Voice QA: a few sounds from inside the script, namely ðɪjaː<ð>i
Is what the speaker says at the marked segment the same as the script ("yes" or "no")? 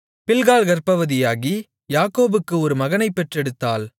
no